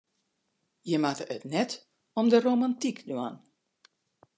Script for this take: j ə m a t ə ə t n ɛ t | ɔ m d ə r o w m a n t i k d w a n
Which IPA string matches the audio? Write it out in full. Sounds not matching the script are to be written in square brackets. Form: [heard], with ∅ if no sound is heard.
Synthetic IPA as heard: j ə m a t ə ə t n ɛ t | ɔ m d ə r o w m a n t i k d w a n